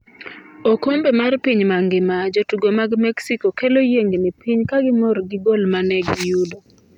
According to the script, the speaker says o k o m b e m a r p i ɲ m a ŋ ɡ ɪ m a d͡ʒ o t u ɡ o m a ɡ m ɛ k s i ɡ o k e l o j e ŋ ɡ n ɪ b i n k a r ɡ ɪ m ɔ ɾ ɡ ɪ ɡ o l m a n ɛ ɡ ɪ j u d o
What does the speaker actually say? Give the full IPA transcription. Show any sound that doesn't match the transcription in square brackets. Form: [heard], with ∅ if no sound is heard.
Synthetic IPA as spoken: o k o m b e m a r p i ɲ m a ŋ ɡ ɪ m a d͡ʒ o t u ɡ o m a ɡ m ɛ k s i [k] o k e l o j e ŋ ɡ n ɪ [p] i [ɲ] k a [∅] ɡ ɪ m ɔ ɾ ɡ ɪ ɡ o l m a n ɛ ɡ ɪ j u d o